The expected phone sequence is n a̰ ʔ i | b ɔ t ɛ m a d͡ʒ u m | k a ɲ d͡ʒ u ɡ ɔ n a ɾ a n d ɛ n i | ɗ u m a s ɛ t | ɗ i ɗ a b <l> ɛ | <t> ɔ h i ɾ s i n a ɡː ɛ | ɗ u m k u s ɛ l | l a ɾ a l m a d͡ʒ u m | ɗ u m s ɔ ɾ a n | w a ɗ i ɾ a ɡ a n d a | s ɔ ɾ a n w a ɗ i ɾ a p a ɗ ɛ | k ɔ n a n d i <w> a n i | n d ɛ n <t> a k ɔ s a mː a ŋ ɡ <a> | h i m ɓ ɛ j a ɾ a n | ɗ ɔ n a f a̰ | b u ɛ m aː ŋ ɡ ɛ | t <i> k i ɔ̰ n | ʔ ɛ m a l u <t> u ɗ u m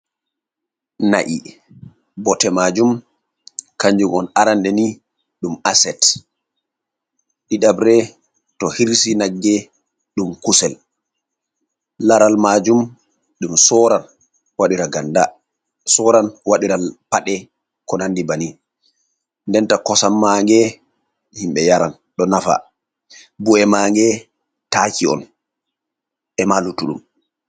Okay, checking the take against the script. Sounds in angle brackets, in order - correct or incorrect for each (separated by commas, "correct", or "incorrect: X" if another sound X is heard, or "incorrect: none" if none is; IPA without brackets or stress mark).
incorrect: ɾ, correct, incorrect: b, correct, incorrect: ɛ, incorrect: a, correct